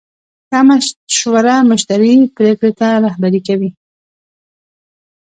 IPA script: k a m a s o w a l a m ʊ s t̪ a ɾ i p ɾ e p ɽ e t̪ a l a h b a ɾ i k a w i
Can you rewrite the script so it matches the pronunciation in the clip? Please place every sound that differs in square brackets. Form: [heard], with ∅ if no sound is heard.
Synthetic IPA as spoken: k a m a [ʃ] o w a [ɾ] a m ʊ [ʃ] t̪ a ɾ i p ɾ e [k] ɽ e t̪ a [ɾ] a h b a ɾ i k a w i